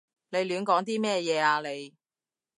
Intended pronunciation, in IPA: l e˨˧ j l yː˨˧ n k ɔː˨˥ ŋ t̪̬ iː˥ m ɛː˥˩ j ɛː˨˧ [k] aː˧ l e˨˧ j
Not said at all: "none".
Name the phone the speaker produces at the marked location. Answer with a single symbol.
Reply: none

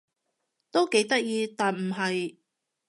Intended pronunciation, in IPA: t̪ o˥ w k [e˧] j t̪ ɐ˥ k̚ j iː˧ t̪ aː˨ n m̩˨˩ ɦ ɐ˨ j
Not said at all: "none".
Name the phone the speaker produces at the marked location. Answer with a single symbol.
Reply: e˨˥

